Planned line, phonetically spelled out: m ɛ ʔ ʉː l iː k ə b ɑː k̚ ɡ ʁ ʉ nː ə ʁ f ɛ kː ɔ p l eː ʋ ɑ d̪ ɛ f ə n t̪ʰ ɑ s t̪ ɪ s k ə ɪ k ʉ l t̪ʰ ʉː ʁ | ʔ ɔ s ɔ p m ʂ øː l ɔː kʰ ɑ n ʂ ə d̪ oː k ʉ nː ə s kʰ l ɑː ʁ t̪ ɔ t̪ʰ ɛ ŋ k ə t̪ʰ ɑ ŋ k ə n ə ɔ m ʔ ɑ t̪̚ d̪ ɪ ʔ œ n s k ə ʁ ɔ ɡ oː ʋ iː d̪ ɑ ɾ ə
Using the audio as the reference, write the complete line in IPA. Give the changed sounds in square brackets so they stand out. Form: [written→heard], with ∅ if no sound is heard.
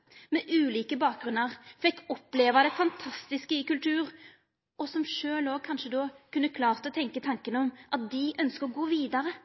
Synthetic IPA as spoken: m ɛ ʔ ʉː l iː k ə b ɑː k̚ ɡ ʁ ʉ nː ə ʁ f ɛ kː ɔ p l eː ʋ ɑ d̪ ɛ f [ə→ɑ] n t̪ʰ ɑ s t̪ ɪ s k ə ɪ k ʉ l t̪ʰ ʉː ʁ | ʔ ɔ s ɔ [p→∅] m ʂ øː l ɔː kʰ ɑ n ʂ ə d̪ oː k ʉ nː ə [s→∅] kʰ l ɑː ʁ t̪ ɔ t̪ʰ ɛ ŋ k ə t̪ʰ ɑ ŋ k ə n ə ɔ m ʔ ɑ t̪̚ d̪ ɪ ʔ œ n s k ə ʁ ɔ ɡ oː ʋ iː d̪ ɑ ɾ ə